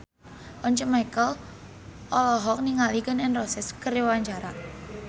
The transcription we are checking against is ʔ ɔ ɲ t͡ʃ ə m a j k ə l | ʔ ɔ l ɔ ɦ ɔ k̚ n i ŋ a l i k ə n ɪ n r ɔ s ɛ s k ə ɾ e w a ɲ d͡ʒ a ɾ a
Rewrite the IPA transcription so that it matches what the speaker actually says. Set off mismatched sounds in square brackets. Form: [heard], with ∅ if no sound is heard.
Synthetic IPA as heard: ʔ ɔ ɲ t͡ʃ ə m a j k ə l | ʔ ɔ l ɔ ɦ ɔ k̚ n i ŋ a l i k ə n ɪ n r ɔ s ɛ s k ə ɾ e w a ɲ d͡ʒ a ɾ a